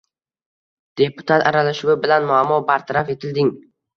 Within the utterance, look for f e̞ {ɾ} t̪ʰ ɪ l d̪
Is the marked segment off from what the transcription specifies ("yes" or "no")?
yes